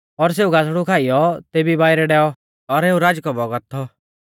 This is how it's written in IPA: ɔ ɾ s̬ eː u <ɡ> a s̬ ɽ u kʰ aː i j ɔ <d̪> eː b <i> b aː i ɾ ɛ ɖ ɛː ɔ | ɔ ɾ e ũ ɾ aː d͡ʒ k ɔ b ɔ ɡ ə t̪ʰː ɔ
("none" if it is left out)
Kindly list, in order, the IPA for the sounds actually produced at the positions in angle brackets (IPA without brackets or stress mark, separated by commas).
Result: ɡ, t̪, i